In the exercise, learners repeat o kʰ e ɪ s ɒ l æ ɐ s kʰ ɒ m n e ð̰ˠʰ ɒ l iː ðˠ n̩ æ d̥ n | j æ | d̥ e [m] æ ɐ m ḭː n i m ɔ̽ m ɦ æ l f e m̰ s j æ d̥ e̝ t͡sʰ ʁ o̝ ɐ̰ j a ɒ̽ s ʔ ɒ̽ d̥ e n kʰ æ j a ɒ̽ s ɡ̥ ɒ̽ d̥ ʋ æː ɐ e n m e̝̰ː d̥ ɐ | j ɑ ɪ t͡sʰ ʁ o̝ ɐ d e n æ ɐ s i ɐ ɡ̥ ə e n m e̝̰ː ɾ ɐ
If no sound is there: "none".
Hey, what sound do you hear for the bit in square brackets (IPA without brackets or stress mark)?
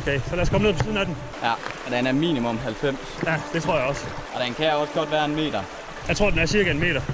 n